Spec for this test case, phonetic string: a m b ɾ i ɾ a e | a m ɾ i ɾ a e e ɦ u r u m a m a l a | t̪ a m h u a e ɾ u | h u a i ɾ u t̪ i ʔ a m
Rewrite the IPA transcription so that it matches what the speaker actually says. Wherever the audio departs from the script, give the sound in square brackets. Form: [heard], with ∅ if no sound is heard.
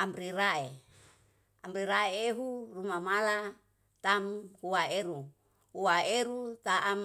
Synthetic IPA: a m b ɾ i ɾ a e | a m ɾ i ɾ a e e ɦ u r u m a m a l a | t̪ a m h u a e ɾ u | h u a [e] ɾ u t̪ [a] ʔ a m